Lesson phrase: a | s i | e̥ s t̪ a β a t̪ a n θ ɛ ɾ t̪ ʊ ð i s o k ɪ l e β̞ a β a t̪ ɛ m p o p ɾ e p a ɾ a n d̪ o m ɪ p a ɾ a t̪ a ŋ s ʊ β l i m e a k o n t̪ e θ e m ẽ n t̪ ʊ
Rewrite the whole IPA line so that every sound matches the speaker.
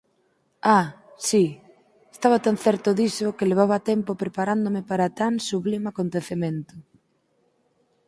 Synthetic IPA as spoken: a | s i | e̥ s t̪ a β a t̪ a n θ ɛ ɾ t̪ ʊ ð i s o k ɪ l e β̞ a β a t̪ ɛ m p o p ɾ e p a ɾ a n d̪ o m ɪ p a ɾ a t̪ a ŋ s u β l i m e a k o n t̪ e θ e m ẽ n t̪ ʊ

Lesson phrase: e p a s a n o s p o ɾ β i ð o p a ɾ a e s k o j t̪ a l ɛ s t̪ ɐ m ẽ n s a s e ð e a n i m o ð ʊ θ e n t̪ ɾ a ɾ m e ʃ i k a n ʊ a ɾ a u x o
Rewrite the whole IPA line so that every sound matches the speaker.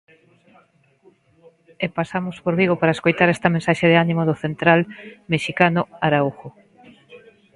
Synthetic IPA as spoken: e p a s a m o s p o ɾ β i ɣ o p a ɾ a e s k o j t̪ a ɾ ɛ s t̪ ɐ m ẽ n s a ʃ e ð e a n i m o ð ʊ θ e n t̪ ɾ a l m e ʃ i k a n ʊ a ɾ a u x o

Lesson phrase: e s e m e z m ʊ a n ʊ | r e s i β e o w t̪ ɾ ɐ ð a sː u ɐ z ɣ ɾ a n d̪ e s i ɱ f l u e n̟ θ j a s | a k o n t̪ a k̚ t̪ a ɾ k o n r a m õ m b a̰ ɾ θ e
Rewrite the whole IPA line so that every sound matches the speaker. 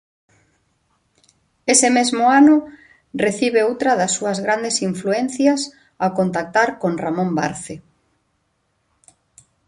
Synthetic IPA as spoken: e s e m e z m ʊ a n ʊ | r e θ i β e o w t̪ ɾ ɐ ð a sː u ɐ z ɣ ɾ a n d̪ e s i ɱ f l u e n̟ θ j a s | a k o n t̪ a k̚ t̪ a ɾ k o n r a m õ m b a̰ ɾ θ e

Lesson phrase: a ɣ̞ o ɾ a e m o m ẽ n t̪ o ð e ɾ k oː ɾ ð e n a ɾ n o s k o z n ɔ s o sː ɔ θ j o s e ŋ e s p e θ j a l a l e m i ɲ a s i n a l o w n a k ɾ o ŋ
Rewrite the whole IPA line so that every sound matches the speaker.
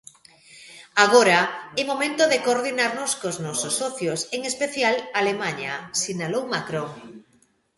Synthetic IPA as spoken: a ɣ̞ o ɾ a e m o m ẽ n t̪ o ð e k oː ɾ ð i n a ɾ n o s k o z n ɔ s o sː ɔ θ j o s e ŋ e s p e θ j a l a l e m a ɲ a s i n a l o w m a k ɾ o ŋ

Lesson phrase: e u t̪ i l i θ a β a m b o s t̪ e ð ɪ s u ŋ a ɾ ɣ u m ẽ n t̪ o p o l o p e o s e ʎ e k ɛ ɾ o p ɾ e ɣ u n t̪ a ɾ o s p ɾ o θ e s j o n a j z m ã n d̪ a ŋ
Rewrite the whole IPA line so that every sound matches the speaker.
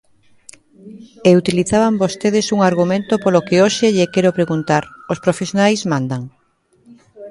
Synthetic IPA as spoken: e u t̪ i l i θ a β a m b o s t̪ e ð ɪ s u ŋ a ɾ ɣ u m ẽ n t̪ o p o l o k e o ʃ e ʎ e k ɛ ɾ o p ɾ e ɣ u n t̪ a ɾ o s p ɾ o f e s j o n a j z m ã n d̪ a ŋ

